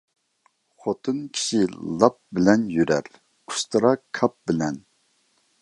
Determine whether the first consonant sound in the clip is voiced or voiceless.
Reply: voiceless